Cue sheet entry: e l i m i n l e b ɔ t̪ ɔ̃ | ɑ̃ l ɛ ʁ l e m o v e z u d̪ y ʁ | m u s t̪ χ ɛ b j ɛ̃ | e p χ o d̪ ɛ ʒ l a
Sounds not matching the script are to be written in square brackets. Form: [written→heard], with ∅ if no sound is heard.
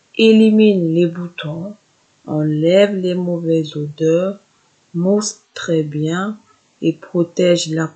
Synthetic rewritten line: e l i m i n l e b [ɔ→u] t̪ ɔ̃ | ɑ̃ l ɛ [ʁ→v] l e m o v [e→ɛ] z [u→o] d̪ [y→œ] ʁ | m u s t̪ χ ɛ b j ɛ̃ | e p χ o [d̪→t̪] ɛ ʒ l a